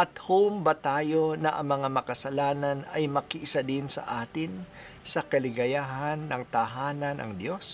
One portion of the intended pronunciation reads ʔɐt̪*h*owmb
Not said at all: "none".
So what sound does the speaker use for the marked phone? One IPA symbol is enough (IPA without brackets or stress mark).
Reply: h